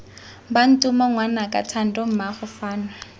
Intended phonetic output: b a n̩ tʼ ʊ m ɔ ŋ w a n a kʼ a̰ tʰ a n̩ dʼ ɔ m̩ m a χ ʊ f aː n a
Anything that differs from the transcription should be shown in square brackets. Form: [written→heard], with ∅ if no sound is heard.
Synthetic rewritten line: b a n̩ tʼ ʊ m ɔ ŋ w a n a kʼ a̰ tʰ a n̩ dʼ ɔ m̩ m a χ ʊ f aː n a